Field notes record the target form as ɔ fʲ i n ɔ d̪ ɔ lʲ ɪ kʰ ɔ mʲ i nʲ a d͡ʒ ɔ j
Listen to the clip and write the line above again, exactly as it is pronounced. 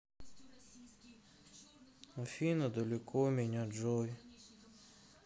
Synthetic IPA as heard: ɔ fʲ i n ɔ d̪ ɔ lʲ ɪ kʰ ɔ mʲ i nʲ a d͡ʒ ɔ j